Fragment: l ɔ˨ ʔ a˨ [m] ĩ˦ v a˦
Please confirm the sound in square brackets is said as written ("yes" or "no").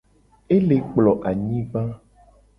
no